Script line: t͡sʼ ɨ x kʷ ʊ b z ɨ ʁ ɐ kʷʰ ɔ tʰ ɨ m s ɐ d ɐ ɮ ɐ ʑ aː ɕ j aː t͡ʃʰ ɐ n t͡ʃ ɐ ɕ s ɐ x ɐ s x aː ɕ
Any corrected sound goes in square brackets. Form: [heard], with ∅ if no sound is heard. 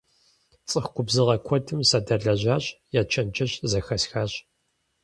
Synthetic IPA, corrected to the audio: t͡sʼ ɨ x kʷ ʊ b z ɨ ʁ ɐ kʷʰ ɔ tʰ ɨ m s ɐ d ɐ ɮ ɐ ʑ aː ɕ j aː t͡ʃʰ ɐ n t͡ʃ ɐ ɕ [z] ɐ x ɐ s x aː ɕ